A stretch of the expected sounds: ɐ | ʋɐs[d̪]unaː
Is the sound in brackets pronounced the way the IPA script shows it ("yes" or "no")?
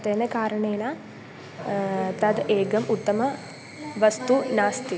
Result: no